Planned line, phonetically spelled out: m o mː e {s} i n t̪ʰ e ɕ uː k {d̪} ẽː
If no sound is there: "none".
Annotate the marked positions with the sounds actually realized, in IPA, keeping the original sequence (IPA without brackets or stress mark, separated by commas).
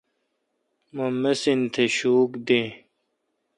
s, d̪